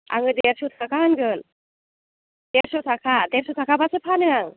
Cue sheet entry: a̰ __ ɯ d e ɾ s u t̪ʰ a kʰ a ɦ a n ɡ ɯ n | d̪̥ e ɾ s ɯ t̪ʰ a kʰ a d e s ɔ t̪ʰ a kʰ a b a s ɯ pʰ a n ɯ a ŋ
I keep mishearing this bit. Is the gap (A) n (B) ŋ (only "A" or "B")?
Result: B